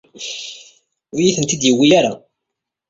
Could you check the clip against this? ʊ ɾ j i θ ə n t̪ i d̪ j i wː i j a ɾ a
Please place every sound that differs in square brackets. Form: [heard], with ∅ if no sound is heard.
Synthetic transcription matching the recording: ʊ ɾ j i θ ə n t̪ i d̪ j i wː i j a ɾ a